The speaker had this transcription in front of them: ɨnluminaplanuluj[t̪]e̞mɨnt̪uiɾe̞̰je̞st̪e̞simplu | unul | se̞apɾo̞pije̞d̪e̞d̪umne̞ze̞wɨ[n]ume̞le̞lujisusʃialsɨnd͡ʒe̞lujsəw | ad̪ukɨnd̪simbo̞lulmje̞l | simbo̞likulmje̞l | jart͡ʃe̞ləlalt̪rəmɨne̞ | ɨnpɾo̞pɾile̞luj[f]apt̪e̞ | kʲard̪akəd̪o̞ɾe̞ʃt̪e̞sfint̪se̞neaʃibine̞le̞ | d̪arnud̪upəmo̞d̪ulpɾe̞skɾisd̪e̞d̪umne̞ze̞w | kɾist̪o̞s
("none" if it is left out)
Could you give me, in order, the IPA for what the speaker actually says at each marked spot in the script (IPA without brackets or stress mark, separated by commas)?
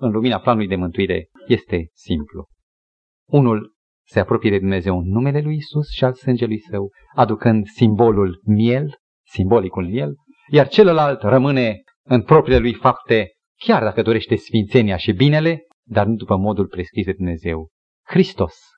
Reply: d̪, nː, f